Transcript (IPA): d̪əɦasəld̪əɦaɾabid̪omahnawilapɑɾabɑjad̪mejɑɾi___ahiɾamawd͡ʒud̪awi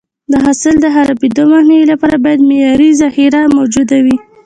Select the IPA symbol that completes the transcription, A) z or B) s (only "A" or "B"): A